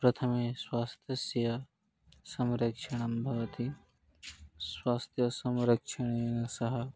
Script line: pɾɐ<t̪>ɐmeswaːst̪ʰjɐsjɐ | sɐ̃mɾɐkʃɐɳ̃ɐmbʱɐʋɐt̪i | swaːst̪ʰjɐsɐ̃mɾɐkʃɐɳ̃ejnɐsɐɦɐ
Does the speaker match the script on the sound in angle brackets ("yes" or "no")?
no